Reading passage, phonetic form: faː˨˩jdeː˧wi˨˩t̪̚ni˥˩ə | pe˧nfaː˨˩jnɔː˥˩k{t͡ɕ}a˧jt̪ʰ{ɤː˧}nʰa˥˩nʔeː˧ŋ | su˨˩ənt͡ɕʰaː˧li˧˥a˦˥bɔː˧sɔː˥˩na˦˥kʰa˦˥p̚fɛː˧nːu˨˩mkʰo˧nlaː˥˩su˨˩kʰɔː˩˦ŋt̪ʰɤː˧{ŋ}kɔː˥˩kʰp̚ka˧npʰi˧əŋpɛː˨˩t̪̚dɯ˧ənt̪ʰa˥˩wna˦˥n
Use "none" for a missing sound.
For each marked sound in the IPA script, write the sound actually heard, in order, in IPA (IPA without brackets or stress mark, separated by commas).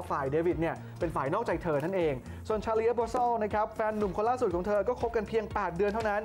t͡ɕ, ɤː˧, none